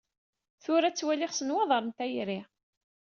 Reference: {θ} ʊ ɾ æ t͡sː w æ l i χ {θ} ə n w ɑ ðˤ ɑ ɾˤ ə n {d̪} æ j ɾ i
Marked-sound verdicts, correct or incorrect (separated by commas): correct, incorrect, incorrect